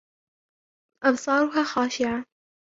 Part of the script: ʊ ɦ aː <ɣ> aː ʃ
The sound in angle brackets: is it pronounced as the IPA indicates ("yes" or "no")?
no